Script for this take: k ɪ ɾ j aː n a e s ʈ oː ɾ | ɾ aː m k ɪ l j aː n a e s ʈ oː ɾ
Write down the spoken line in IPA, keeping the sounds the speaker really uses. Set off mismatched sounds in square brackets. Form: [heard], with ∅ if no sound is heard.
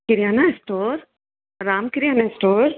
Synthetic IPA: k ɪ ɾ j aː n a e s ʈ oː ɾ | ɾ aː m k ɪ [ɾ] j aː n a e s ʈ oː ɾ